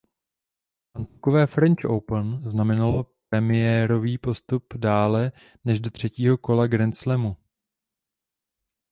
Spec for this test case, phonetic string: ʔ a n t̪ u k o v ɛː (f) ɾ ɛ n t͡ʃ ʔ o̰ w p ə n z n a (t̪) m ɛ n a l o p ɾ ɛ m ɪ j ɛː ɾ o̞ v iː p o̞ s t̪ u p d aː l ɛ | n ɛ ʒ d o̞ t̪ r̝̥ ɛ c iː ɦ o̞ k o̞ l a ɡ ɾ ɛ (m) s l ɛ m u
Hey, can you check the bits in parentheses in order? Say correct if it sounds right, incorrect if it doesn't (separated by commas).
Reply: correct, incorrect, incorrect